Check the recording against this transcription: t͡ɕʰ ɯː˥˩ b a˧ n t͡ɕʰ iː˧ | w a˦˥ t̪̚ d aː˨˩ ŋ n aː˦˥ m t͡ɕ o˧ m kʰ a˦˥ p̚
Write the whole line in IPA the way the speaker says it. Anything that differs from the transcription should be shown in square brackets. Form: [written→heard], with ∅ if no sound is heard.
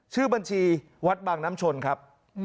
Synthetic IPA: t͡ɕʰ ɯː˥˩ b a˧ n t͡ɕʰ iː˧ | w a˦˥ t̪̚ [d→b] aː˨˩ ŋ n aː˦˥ m [t͡ɕ→t͡ɕʰ] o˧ [m→n] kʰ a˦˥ p̚